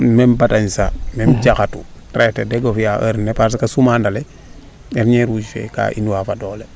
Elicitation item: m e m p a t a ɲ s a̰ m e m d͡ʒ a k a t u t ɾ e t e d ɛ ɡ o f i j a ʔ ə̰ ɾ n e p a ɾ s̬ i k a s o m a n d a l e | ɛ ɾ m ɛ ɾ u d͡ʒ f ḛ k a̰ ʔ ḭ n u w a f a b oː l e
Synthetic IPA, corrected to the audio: m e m b a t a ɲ s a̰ m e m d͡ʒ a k a t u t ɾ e t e d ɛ ɡ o f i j a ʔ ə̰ ɾ n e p a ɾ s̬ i k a s u m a n d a l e | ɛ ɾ ɲ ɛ ɾ u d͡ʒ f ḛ k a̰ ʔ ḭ n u w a f a d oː l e